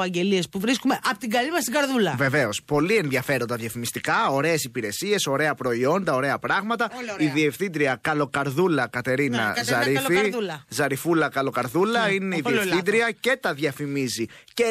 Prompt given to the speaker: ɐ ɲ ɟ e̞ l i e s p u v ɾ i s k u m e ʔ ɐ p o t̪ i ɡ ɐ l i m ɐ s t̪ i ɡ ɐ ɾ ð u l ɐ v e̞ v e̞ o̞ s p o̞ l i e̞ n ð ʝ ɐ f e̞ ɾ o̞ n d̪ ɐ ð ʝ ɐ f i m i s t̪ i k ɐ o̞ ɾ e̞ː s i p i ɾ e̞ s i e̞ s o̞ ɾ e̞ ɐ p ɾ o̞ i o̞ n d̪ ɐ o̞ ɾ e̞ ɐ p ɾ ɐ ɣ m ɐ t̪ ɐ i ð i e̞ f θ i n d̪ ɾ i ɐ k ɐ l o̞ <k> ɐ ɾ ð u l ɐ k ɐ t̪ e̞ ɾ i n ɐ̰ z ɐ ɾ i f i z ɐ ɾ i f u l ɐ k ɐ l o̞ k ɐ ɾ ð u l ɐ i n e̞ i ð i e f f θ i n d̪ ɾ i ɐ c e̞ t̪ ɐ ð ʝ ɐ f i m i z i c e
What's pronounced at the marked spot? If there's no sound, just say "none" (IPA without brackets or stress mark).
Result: k